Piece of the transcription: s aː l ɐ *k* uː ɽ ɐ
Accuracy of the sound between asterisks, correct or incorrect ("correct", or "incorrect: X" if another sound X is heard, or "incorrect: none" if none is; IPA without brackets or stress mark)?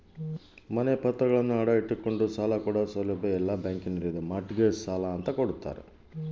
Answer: correct